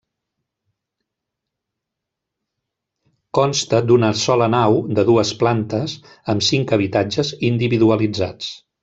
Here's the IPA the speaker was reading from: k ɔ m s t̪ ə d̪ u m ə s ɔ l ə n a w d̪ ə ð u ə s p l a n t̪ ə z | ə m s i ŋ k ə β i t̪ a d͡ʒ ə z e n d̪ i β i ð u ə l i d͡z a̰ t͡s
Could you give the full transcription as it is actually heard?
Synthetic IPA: k ɔ n s t̪ ə d̪ u n ə s ɔ l ə n a w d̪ ə ð u ə s p l a n t̪ ə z | ə m s i ŋ k ə β i t̪ a d͡ʒ ə z i n d̪ i β i ð u ə l i d͡z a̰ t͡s